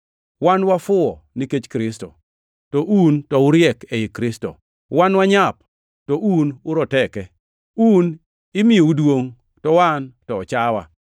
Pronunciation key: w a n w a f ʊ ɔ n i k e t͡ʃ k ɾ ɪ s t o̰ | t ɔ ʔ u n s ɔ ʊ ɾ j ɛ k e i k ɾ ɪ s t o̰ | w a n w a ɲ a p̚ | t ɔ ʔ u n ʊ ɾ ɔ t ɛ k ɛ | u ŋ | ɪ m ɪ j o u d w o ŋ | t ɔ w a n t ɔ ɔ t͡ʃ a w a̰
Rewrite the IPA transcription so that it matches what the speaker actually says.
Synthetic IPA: w a n w a f ʊ ɔ n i k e t͡ʃ k ɾ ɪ s t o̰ | t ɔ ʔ u n t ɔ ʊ ɾ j ɛ k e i k ɾ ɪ s t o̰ | w a n w a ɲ a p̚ | t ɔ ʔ u n ʊ ɾ ɔ t ɛ k ɛ | u n | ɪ m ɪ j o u d w o ŋ | t ɔ w a n t ɔ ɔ t͡ʃ a w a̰